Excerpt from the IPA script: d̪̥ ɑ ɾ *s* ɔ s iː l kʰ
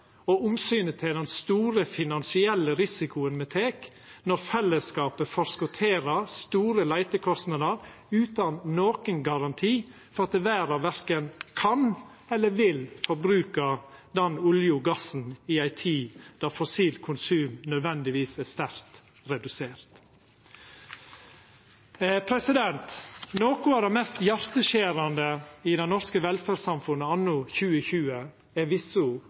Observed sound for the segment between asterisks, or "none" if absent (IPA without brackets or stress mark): f